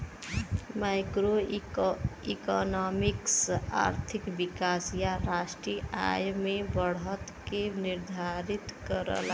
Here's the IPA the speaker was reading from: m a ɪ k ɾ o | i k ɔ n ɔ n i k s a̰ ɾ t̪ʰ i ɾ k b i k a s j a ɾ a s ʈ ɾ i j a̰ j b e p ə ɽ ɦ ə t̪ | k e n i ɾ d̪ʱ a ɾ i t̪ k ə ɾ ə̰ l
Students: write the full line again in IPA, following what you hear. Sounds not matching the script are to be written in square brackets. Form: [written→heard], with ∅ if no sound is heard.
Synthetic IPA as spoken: m a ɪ k ɾ o | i k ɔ n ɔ [n→m] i k s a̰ ɾ t̪ʰ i [ɾ→∅] k b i k a s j a ɾ a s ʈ ɾ i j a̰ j [b→m] e [p→b] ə ɽ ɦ ə t̪ | k e n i ɾ d̪ʱ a ɾ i t̪ k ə ɾ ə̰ l